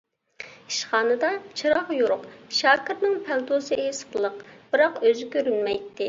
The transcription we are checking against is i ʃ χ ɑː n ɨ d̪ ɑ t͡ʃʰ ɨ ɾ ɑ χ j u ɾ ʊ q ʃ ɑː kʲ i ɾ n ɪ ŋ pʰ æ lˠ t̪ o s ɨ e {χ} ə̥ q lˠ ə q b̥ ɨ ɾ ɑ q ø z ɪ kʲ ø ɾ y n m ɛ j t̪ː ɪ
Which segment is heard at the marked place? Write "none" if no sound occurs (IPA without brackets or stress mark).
s